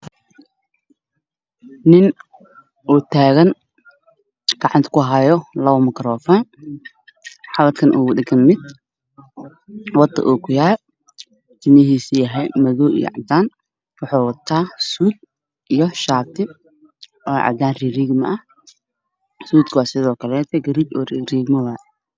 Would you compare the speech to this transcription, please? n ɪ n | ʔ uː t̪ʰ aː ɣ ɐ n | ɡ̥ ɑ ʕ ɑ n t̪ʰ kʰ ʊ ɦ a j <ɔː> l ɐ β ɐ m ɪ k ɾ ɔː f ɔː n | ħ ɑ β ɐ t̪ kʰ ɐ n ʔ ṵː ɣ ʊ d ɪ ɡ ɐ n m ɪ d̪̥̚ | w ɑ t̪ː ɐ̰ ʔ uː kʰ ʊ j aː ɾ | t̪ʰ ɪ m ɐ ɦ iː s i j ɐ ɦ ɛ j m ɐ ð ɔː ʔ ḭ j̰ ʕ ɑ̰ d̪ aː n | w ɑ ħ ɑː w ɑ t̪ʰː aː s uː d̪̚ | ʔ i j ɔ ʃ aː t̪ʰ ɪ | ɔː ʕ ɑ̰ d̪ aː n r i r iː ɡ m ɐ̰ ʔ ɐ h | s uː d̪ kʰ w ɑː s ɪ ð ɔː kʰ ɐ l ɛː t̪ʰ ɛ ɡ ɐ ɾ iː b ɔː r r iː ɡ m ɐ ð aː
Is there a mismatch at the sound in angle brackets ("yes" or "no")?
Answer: yes